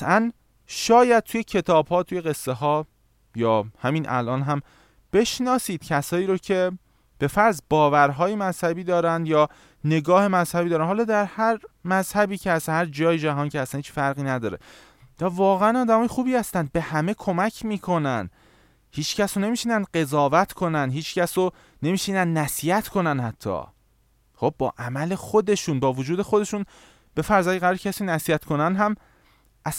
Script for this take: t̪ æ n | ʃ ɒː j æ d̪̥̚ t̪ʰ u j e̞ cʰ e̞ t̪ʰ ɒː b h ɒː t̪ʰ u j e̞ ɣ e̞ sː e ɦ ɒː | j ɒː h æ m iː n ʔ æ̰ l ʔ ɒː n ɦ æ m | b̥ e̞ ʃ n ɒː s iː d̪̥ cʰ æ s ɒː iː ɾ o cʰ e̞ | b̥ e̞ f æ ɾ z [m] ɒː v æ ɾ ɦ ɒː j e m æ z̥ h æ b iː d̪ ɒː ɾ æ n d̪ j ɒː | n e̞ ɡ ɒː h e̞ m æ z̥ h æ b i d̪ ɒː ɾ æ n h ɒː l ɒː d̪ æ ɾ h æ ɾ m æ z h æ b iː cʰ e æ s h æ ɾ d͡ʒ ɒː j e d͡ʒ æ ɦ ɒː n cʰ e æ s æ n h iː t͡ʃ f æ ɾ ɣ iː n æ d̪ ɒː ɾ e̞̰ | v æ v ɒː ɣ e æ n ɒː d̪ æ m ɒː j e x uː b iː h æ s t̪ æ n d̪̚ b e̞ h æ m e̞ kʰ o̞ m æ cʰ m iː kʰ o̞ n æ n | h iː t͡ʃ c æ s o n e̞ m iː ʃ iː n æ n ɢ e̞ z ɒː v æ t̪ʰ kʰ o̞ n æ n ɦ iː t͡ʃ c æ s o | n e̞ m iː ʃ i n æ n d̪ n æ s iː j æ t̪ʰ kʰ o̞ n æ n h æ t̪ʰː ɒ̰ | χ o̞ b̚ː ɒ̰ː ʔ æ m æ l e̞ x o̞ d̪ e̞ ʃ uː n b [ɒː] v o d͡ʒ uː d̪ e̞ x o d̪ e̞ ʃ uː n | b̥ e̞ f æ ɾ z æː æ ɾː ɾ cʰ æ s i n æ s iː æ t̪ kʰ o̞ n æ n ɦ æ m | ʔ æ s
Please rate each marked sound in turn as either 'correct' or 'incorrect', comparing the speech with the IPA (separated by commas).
incorrect, correct